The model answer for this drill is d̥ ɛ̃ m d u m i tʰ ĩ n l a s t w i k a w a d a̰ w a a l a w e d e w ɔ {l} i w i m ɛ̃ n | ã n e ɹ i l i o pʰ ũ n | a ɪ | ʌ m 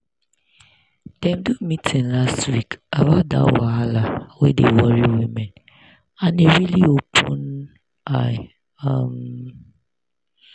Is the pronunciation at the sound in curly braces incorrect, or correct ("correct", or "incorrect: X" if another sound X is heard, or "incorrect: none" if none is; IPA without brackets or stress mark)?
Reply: incorrect: ɹ